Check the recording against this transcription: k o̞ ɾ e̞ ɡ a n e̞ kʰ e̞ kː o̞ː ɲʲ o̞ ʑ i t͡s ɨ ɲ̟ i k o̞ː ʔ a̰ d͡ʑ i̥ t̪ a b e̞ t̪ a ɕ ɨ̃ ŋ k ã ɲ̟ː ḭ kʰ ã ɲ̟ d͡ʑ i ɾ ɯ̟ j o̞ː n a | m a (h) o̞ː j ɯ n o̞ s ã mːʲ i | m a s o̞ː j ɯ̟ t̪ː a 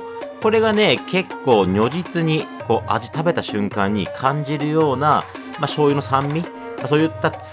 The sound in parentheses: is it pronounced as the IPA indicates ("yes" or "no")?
no